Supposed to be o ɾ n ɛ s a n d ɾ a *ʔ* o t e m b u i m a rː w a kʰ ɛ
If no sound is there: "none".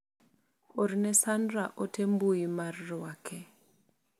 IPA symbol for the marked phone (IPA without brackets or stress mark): ʔ